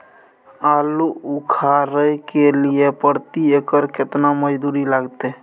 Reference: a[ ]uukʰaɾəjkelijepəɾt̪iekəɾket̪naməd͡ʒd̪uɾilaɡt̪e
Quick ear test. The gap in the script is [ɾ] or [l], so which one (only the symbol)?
l